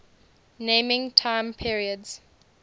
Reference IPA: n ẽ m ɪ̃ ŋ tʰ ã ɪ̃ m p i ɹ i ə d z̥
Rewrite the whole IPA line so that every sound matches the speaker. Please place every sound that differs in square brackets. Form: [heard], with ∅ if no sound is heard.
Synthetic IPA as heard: n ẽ m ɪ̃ ŋ tʰ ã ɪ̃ m [pʰ] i ɹ i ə d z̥